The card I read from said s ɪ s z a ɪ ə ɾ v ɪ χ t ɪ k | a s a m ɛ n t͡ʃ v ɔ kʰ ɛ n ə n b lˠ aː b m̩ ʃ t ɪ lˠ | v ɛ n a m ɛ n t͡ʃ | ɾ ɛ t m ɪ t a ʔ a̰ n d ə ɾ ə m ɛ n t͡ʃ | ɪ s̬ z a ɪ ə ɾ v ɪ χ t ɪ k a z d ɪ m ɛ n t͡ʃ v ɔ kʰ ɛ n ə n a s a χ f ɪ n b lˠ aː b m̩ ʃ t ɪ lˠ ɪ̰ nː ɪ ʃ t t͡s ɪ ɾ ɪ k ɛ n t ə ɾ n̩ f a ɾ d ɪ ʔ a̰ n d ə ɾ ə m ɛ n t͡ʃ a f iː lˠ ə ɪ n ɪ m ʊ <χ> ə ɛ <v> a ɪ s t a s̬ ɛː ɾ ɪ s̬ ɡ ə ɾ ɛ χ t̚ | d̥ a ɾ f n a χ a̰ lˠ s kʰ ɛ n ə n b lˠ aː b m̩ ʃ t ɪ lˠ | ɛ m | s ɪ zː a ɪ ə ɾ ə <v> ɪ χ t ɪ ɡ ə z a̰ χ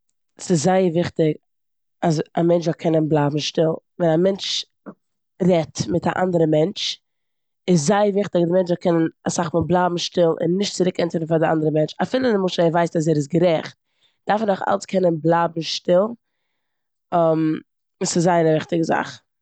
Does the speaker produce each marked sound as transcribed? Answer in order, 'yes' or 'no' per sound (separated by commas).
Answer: no, yes, yes